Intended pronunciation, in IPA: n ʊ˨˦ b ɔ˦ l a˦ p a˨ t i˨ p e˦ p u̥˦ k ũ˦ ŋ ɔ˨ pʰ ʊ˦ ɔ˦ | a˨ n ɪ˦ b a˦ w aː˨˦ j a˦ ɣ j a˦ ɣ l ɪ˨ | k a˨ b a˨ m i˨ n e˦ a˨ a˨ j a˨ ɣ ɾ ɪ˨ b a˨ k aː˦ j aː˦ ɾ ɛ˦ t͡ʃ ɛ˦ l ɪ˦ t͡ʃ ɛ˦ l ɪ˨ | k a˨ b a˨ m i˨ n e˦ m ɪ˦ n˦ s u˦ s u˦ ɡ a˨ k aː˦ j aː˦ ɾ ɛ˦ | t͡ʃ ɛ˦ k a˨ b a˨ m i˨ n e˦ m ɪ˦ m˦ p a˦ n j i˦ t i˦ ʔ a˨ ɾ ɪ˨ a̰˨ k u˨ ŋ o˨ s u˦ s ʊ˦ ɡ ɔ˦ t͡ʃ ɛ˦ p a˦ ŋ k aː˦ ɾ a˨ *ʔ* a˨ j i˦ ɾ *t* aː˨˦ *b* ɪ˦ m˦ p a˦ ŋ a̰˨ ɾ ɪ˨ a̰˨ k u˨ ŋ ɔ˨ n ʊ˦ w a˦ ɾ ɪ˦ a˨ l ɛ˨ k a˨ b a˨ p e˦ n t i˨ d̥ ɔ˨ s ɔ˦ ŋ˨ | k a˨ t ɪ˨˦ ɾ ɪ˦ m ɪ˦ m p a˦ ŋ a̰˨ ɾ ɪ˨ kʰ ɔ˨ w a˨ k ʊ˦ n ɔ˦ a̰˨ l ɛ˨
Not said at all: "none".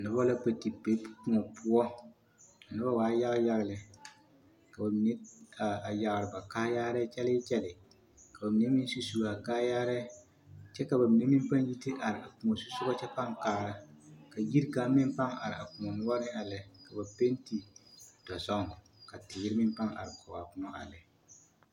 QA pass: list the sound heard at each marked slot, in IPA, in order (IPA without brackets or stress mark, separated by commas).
k, k, m